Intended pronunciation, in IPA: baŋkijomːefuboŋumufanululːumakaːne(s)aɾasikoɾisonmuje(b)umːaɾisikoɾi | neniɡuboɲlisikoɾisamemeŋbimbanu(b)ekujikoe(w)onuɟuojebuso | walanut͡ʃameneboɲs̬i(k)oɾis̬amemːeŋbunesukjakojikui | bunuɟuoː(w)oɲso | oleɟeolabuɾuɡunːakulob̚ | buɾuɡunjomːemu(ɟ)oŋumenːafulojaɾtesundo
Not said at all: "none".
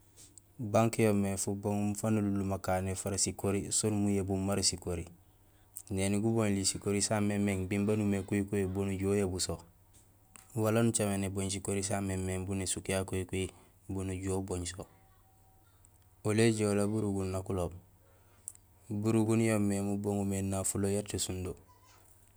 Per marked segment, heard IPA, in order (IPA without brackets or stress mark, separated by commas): f, b, m, b, k, b, b